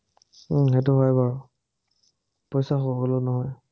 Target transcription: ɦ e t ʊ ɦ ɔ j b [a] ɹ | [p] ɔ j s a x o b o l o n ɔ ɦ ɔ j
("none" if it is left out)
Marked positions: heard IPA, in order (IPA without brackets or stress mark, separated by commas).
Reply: a, p